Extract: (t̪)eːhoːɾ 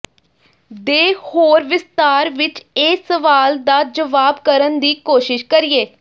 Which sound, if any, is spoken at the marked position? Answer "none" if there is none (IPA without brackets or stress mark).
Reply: d̪